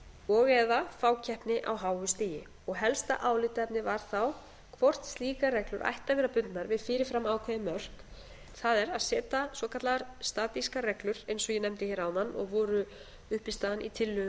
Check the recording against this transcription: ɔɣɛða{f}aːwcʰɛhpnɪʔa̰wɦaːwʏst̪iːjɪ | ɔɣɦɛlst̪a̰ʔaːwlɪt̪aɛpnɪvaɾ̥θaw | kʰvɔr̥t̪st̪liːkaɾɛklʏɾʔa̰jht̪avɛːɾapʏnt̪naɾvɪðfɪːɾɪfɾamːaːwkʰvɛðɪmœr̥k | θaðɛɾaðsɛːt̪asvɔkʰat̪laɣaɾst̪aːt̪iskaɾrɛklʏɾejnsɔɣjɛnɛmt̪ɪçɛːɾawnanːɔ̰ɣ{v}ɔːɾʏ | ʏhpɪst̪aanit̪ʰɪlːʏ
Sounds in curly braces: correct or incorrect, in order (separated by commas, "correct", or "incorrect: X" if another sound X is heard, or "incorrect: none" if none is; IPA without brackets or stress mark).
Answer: correct, correct